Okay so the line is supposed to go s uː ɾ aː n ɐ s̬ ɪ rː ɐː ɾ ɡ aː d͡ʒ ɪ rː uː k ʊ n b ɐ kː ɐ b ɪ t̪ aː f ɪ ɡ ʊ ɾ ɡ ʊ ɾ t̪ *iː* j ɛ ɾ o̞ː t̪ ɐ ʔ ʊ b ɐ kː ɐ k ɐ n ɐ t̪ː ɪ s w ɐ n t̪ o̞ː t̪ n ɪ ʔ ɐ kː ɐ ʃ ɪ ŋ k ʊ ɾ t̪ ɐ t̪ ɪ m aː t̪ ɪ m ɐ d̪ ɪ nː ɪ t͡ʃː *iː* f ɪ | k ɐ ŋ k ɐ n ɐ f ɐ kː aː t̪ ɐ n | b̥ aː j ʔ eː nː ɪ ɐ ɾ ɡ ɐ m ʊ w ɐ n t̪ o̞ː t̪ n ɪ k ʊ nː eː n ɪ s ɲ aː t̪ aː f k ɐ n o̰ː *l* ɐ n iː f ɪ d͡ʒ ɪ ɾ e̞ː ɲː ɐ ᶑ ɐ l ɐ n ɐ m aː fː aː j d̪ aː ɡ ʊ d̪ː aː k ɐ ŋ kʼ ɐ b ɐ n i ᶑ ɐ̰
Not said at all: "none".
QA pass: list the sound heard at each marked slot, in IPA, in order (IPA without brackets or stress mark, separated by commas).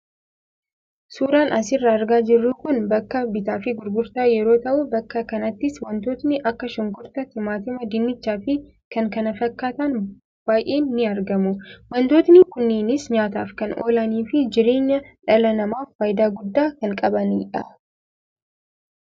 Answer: aː, aː, l